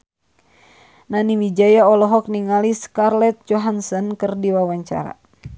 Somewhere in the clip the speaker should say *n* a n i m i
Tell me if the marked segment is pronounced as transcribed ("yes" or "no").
yes